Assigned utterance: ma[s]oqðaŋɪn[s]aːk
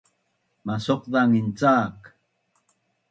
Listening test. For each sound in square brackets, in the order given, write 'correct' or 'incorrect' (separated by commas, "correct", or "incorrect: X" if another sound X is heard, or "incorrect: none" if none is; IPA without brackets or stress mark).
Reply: correct, incorrect: t͡s